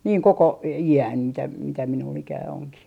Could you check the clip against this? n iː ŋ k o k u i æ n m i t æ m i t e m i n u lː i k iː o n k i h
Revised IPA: n iː ŋ k o k o i æ n m i t æ m i t æ m i n u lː i k æː o ŋ k i h